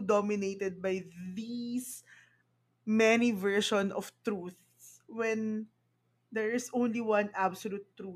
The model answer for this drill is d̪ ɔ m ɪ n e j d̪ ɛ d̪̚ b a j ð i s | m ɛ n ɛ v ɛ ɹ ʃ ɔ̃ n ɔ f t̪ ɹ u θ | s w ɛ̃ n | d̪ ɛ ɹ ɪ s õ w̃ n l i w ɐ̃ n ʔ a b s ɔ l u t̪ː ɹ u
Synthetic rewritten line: d̪ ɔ m ɪ n e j t̪ ɛ d̪̚ b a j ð i s | m ɛ n i v ɛ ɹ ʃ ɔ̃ n ɔ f t̪ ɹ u θ | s w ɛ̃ n | d̪ ɛ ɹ ɪ s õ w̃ n l i w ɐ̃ n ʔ a b s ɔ l u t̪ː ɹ u